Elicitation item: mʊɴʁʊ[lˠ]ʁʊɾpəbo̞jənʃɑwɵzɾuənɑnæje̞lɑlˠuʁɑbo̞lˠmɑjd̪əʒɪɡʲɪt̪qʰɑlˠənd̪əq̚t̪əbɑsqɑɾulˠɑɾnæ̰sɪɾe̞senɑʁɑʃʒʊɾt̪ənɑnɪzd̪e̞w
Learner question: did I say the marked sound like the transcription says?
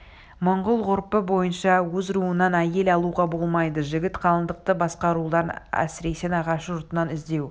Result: yes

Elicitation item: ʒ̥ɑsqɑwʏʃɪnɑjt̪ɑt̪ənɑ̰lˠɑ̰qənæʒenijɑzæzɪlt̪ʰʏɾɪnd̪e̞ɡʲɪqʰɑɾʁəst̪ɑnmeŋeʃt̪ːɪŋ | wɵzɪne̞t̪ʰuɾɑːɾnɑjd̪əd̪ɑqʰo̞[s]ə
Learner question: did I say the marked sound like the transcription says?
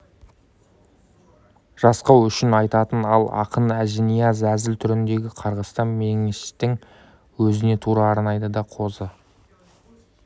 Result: no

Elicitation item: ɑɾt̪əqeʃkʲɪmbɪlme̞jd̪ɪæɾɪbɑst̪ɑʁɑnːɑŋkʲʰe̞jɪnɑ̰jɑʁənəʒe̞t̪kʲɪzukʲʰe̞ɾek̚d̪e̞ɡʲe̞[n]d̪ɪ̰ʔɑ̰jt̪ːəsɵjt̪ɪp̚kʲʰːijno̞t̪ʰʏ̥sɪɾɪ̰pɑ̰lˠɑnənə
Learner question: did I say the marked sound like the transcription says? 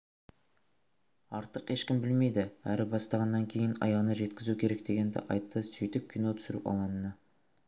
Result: yes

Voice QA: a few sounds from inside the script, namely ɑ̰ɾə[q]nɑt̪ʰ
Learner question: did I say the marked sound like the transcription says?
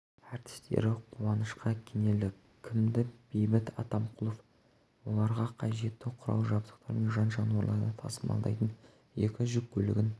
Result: no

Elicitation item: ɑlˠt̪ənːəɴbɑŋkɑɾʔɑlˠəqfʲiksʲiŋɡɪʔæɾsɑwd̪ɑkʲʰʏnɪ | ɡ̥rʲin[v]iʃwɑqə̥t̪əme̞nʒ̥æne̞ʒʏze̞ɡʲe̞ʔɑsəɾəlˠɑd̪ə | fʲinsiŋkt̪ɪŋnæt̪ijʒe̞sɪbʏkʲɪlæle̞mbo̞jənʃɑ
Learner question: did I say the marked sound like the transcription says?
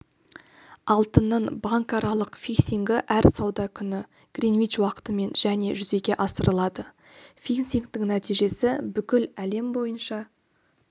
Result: yes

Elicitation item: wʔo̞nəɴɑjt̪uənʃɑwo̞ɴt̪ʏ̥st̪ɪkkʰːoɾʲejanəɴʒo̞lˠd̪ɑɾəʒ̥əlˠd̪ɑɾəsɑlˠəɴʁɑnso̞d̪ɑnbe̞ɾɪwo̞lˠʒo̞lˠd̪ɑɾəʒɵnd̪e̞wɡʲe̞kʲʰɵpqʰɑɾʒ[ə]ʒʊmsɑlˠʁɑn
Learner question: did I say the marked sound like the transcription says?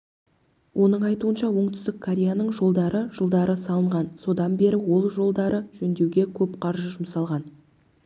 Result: yes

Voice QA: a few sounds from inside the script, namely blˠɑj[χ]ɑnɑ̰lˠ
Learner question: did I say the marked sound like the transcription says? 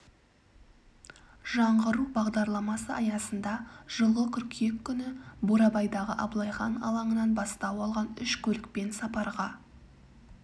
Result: yes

